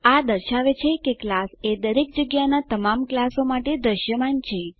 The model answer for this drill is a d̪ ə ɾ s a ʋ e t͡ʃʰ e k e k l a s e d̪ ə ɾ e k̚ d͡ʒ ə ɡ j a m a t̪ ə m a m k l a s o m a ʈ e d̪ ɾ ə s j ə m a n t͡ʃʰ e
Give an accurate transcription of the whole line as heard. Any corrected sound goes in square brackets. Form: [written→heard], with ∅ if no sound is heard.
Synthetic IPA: a d̪ ə ɾ [s→ʃ] a ʋ e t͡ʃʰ e k e k l a s e d̪ ə ɾ e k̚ d͡ʒ ə ɡ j a [m→n] a t̪ ə m a m k l a s o m a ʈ e d̪ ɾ ə [s→ʃ] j ə m a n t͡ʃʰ e